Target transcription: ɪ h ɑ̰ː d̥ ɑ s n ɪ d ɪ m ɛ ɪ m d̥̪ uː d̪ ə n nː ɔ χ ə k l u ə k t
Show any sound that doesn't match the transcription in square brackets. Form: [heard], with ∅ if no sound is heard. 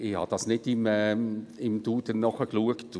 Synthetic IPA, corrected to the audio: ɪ h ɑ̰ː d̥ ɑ s n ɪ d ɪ m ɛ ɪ m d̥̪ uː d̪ ə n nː ɔ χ ə k l u ə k t